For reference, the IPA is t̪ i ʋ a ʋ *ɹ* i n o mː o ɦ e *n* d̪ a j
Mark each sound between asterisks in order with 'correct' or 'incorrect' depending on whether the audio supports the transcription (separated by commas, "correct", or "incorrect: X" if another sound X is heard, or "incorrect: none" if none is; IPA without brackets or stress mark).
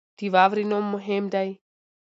incorrect: ɾ, incorrect: m